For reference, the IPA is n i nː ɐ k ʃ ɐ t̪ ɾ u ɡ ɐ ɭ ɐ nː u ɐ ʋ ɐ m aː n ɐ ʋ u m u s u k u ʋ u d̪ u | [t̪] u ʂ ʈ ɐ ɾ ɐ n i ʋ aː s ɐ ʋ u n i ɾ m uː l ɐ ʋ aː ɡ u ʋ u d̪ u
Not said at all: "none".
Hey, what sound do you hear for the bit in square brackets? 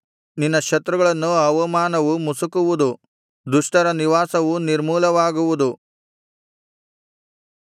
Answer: d̪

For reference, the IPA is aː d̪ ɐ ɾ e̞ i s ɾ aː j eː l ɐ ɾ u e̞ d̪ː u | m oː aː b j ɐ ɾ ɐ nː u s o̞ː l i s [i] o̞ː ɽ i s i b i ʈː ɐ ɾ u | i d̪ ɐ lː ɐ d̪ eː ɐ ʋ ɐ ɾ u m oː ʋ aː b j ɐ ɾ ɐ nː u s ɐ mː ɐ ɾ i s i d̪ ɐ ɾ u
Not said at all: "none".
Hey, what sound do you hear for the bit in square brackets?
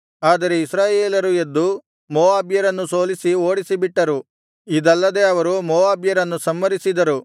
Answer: i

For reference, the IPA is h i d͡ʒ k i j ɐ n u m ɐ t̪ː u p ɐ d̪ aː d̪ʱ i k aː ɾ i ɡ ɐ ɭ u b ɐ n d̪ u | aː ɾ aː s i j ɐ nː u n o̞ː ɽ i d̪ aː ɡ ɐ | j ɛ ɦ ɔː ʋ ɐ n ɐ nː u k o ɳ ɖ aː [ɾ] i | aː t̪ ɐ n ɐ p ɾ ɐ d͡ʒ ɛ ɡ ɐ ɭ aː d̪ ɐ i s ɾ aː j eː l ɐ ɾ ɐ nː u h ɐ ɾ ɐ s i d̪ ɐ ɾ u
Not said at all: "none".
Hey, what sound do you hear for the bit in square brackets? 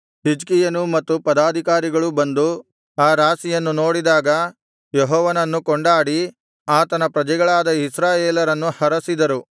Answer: ɽ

